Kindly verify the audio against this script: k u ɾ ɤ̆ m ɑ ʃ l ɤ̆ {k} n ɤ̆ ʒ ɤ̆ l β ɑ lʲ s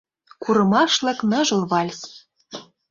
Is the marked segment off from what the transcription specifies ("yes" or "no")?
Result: no